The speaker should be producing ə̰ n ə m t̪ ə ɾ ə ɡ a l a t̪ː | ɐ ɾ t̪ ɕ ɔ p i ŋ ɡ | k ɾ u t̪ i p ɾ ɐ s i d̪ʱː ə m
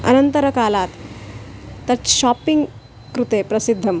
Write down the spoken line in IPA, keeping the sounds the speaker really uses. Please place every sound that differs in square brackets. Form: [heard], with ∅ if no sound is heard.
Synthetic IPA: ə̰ n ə [n] t̪ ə ɾ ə [k] a l a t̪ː | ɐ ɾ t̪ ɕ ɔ p i ŋ ɡ | k ɾ u t̪ [e] p ɾ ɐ s i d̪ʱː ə m

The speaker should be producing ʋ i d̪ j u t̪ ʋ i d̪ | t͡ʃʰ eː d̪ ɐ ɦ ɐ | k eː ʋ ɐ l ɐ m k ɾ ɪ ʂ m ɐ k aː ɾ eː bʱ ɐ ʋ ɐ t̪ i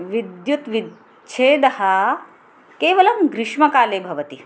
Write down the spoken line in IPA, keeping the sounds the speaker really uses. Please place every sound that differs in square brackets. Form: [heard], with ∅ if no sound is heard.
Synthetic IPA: ʋ i d̪ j u t̪ ʋ i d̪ | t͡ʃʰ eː d̪ ɐ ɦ ɐ | k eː ʋ ɐ l ɐ m [ɡ] ɾ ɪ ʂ m ɐ k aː [l] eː bʱ ɐ ʋ ɐ t̪ i

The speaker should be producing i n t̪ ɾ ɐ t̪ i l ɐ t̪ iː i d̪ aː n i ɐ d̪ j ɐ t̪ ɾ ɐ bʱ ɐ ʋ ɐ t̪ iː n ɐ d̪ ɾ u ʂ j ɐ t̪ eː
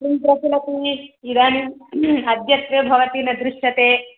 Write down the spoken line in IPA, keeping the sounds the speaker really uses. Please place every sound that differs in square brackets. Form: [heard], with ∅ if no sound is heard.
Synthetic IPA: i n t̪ ɾ ɐ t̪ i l ɐ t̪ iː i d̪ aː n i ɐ d̪ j ɐ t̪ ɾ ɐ bʱ ɐ ʋ ɐ t̪ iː n ɐ d̪ ɾ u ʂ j ɐ t̪ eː

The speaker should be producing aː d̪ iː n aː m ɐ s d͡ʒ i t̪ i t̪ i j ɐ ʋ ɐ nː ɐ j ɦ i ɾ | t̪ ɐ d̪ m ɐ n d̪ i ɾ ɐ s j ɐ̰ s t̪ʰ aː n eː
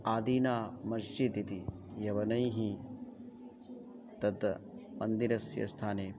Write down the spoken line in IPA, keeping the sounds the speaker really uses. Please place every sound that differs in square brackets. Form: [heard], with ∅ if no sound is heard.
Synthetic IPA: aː d̪ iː n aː m ɐ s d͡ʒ i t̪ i t̪ i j ɐ ʋ ɐ [n] ɐ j ɦ i [∅] | t̪ ɐ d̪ m ɐ n d̪ i ɾ ɐ s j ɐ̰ s t̪ʰ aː n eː

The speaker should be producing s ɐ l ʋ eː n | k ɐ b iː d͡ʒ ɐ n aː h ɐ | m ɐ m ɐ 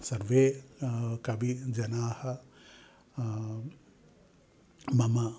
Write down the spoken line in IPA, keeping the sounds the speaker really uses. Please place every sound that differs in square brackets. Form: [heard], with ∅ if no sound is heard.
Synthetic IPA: s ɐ [ɾ] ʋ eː [∅] | k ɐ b [i] d͡ʒ ɐ n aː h ɐ | m ɐ m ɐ

